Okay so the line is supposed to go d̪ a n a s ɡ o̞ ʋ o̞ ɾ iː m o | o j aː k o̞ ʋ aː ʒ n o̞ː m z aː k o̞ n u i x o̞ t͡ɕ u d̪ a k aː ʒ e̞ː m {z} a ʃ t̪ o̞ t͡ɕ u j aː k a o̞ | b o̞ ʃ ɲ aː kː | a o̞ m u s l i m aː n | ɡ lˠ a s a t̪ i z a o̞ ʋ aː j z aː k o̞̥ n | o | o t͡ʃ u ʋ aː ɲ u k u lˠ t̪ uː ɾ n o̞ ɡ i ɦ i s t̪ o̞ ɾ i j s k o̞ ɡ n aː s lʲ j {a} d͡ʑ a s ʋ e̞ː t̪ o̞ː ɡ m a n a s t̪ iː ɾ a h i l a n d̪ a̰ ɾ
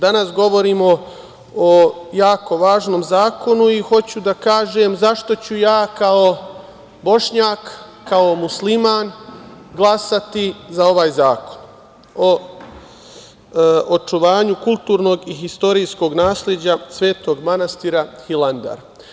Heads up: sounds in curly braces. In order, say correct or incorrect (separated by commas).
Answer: correct, incorrect